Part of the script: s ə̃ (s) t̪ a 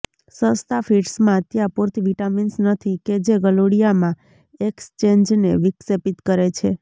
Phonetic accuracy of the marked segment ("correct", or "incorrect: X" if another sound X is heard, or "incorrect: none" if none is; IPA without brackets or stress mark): correct